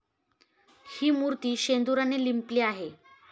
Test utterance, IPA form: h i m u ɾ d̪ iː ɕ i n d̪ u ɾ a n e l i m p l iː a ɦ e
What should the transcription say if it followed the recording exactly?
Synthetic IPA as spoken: h iː m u ɾ t̪ iː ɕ e n d̪ u ɾ a n e l i m p l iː a ɦ e